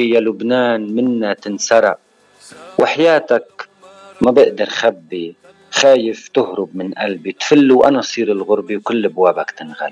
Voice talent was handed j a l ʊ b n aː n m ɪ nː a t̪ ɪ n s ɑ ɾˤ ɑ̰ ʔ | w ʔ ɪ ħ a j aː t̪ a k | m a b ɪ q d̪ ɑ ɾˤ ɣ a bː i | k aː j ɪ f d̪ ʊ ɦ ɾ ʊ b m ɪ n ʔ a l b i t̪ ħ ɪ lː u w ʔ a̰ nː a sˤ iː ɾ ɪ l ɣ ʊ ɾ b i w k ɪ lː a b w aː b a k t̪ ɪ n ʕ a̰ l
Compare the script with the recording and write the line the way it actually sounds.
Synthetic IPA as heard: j a l ʊ b n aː n m ɪ nː a t̪ ɪ n s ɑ ɾˤ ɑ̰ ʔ | w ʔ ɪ ħ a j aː t̪ a k | m a b ɪ ʔ d̪ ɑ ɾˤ x a bː i | x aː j ɪ f t̪ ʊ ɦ ɾ ʊ b m ɪ n ʔ a l b i t̪ f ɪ lː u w ʔ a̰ n a sˤ iː ɾ ɪ l ɣ ʊ ɾ b i w k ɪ lː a b w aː b a k t̪ ɪ n ɣ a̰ l